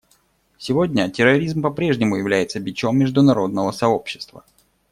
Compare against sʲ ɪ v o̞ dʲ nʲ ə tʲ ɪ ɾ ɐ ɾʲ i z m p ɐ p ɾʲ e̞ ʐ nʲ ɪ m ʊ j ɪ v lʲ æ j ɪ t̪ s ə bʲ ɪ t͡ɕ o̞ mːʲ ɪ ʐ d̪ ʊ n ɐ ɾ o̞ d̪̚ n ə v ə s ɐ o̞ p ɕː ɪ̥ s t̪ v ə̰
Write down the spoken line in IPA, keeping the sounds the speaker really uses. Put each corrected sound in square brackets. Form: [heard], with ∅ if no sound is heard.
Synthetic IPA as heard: sʲ ɪ v o̞ dʲ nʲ ə tʲ ɪ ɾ ɐ ɾʲ i z m p ɐ p ɾʲ e̞ ʐ nʲ ɪ m ʊ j ɪ v lʲ æ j ɪ t̪ s ə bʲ ɪ t͡ɕ o̞ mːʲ ɪ ʐ d̪ ʊ n ɐ ɾ o̞ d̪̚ n ə v ə s ɐ o̞ p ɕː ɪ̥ s t̪ v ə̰